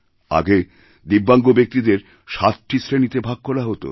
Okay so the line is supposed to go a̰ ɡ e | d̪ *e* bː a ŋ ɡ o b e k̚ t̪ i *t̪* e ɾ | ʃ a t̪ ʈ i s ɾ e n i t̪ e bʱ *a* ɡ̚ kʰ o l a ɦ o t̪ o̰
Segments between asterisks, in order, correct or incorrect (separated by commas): incorrect, incorrect, correct